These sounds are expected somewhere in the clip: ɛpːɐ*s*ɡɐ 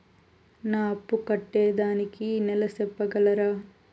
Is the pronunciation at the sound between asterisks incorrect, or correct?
incorrect